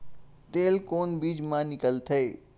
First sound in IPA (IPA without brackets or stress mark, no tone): t̪